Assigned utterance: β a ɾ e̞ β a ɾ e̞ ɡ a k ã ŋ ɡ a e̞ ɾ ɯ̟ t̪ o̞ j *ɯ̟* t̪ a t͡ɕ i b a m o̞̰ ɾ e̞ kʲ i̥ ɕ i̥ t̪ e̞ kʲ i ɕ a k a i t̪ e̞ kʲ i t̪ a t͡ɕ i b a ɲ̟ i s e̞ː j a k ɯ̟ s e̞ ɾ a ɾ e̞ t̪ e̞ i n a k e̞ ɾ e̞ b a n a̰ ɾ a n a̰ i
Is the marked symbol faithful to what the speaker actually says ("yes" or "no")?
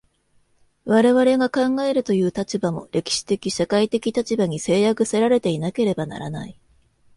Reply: no